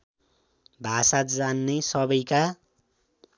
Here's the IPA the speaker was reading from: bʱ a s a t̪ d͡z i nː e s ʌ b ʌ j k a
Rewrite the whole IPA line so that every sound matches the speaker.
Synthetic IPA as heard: bʱ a s a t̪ d͡z a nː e s ʌ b ʌ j k a